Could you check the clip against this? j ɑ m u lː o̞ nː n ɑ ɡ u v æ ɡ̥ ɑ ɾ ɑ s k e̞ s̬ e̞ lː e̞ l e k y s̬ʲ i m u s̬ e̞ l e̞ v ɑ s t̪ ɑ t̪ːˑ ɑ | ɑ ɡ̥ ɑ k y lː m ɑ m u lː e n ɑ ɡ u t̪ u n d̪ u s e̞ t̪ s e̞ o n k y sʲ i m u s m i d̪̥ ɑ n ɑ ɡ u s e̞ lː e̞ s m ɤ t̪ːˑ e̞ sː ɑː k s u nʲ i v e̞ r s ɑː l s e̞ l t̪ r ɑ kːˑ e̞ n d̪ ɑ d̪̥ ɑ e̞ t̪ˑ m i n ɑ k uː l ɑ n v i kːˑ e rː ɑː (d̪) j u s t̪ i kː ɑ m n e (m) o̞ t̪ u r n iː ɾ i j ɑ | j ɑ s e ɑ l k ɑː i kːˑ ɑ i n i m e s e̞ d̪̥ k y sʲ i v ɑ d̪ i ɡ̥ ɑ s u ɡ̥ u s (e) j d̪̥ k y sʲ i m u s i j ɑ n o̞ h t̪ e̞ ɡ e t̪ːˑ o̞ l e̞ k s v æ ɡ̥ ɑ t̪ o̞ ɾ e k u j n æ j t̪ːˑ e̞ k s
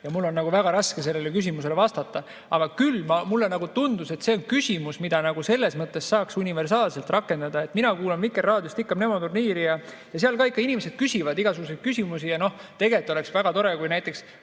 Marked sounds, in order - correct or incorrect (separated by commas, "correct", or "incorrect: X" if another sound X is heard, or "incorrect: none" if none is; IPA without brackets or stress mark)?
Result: correct, correct, correct